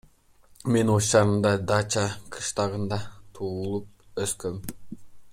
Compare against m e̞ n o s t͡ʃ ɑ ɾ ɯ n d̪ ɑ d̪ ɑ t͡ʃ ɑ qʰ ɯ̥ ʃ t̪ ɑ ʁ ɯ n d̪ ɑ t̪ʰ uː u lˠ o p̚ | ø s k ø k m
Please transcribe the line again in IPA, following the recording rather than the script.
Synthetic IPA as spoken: m e̞ n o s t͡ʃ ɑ ɾ ɯ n d̪ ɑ d̪ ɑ t͡ʃ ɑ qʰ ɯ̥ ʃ t̪ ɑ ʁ ɯ n d̪ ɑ t̪ʰ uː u lˠ u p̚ | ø s k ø m